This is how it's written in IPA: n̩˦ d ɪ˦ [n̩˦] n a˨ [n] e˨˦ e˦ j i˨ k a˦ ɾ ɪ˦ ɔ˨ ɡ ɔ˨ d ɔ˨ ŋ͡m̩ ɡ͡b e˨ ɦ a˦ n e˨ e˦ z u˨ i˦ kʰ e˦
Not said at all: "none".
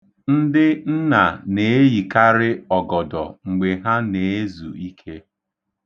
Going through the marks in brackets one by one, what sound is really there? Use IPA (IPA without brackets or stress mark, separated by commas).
n̩˦, n